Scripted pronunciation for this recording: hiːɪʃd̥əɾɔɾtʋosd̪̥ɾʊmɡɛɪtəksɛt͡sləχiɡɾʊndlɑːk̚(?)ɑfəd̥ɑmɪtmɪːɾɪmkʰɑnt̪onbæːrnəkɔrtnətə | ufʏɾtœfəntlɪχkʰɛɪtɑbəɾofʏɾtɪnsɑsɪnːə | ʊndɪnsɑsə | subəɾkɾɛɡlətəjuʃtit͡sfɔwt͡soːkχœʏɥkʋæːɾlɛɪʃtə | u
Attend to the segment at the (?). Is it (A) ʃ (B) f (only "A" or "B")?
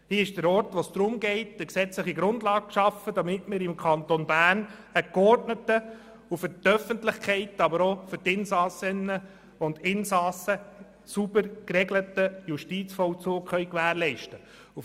A